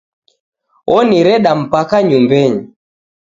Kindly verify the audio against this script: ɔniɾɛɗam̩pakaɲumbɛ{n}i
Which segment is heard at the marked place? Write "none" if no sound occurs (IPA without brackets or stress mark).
ɲ